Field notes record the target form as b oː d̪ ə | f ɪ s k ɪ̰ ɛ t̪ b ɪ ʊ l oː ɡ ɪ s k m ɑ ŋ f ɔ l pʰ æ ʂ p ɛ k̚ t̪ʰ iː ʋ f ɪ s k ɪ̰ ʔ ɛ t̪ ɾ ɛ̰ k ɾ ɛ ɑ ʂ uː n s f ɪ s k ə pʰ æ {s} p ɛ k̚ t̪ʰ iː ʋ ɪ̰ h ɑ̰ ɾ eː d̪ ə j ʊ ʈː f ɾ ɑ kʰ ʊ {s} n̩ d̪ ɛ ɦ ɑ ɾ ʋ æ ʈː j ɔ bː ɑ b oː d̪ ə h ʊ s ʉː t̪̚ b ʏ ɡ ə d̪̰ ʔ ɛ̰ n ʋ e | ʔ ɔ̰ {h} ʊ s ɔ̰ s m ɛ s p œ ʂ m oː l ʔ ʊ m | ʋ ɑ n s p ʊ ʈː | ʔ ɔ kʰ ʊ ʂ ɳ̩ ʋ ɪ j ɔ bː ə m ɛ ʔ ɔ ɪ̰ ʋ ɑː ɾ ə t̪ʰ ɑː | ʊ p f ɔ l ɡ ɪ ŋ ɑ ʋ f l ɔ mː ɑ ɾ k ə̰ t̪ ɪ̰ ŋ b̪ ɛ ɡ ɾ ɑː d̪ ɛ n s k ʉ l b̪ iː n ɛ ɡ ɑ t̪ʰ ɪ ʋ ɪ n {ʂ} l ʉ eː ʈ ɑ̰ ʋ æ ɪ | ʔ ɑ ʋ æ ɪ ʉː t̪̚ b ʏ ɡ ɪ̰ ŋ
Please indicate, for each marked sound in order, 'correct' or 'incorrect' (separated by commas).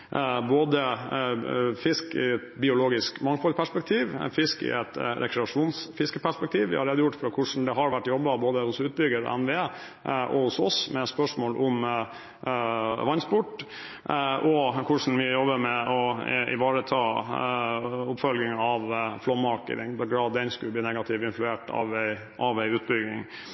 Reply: incorrect, incorrect, correct, incorrect